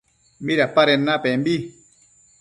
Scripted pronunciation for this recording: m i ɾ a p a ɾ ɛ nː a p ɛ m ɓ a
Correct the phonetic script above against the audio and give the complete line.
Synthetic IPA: m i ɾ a p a ɾ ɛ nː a p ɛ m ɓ i